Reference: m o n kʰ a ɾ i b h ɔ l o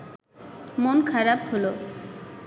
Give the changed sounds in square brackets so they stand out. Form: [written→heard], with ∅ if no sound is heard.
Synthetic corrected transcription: m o n kʰ a ɾ [i→a] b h [ɔ→o] l o